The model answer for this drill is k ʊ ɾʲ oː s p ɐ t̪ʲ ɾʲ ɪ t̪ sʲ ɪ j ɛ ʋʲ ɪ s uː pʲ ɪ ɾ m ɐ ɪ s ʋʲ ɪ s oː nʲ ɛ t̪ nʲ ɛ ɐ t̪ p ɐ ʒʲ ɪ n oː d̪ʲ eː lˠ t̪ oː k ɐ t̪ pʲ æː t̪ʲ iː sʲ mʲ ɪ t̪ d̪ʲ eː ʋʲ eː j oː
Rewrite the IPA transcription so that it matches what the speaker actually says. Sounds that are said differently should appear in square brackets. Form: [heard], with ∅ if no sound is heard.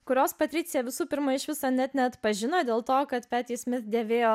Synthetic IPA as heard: k ʊ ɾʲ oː s p ɐ t̪ʲ ɾʲ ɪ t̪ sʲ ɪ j ɛ ʋʲ ɪ s uː pʲ ɪ ɾ m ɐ ɪ [ʃ] ʋʲ ɪ s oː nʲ ɛ t̪ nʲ ɛ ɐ t̪ p ɐ ʒʲ ɪ n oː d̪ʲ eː lˠ t̪ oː k ɐ t̪ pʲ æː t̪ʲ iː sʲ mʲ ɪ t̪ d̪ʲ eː ʋʲ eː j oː